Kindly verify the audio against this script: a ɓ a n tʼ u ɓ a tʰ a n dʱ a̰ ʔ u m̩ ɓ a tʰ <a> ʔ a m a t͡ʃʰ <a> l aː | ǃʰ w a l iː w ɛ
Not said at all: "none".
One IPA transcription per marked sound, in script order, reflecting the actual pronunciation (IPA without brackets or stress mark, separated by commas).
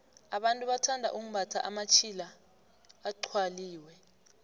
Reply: a, i